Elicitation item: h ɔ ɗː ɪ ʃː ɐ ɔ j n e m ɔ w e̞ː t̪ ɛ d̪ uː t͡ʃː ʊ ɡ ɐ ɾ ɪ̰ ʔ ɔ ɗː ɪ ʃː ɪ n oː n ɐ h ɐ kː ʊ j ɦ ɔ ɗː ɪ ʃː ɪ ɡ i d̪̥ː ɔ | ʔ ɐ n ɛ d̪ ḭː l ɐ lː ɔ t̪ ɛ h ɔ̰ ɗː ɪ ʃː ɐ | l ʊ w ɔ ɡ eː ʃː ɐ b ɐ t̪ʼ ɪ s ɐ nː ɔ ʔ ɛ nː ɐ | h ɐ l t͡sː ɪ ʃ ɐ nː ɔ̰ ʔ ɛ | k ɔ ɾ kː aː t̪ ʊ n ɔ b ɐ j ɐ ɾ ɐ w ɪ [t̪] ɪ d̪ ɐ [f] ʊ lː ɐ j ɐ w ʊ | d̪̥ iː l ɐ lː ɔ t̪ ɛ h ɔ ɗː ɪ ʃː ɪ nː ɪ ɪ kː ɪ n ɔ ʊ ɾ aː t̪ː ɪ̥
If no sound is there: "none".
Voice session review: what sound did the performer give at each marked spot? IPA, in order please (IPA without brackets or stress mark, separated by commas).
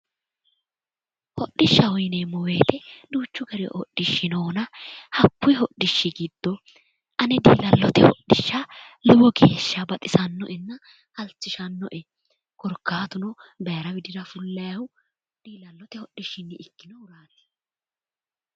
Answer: d̪, f